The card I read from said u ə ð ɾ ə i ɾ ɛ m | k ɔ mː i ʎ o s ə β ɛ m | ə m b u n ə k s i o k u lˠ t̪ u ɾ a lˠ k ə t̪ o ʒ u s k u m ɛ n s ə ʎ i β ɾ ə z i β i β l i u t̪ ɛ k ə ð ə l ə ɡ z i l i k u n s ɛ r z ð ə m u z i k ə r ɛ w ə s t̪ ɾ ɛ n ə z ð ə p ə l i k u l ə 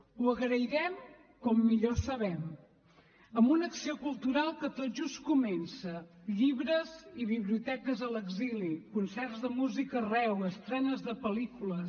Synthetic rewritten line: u ə ɣ ɾ ə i ɾ ɛ m | k ɔ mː i ʎ o s ə β ɛ m | ə m b u n ə k s i o k u lˠ t̪ u ɾ a lˠ k ə t̪ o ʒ u s k u m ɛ n s ə ʎ i β ɾ ə z i β i β l i u t̪ ɛ k ə z ə l ə ɡ z i l i k u n s ɛ r z ð ə m u z i k ə r ɛ w ə s t̪ ɾ ɛ n ə z ð ə p ə l i k u l ə